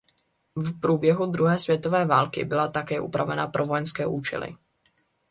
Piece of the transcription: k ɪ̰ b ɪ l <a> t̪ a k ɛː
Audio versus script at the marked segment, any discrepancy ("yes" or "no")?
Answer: no